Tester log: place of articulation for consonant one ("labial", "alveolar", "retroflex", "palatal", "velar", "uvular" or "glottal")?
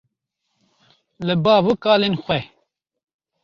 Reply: alveolar